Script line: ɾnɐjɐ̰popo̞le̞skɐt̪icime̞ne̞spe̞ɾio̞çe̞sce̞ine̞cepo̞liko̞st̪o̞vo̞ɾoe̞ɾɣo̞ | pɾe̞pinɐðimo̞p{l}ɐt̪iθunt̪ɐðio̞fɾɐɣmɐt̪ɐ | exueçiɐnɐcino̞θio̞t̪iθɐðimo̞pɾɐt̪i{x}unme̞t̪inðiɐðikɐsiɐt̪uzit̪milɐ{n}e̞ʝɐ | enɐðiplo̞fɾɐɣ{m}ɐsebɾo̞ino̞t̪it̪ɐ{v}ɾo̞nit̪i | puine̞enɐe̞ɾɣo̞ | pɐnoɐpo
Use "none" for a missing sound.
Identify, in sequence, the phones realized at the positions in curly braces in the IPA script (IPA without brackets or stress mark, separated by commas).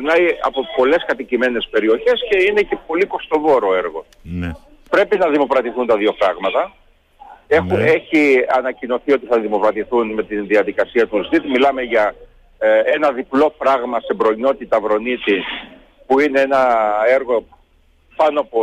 ɾ, θ, m, m, v